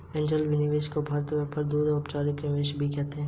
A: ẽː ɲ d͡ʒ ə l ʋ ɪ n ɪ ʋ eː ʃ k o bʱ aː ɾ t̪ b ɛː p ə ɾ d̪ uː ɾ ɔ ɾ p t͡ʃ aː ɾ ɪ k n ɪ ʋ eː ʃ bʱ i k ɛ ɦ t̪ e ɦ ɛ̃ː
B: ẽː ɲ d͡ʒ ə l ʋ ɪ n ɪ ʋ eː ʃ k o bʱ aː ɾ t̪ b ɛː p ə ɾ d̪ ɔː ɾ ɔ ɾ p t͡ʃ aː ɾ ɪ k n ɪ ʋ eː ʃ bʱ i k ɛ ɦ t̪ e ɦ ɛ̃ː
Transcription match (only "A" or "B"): A